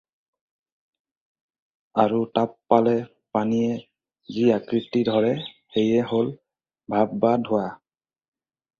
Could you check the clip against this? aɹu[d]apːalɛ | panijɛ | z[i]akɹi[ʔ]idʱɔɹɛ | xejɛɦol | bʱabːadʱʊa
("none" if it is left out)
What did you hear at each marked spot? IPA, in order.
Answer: t, i, t

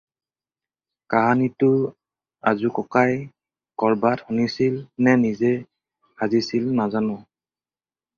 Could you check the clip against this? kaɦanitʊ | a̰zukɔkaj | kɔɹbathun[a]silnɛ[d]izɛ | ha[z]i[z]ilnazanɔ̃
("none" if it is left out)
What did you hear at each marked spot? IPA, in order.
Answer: i, n, z, s

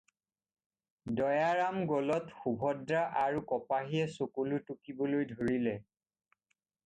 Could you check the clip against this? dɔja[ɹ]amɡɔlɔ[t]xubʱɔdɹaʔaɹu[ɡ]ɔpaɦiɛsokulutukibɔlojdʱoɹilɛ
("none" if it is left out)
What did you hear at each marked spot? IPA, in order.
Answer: ɹ, t, k

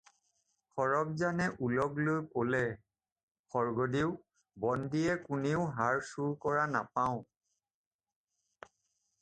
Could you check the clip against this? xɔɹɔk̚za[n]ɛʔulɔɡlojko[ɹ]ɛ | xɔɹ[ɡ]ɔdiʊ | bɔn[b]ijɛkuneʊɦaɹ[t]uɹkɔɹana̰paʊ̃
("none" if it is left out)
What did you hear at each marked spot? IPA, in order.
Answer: n, l, ɡ, d, s

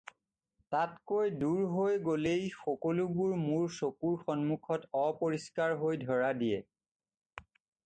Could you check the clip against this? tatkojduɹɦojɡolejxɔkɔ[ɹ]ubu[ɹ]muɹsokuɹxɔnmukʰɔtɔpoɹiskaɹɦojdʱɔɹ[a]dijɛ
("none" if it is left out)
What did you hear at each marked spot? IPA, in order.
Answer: l, ɹ, a

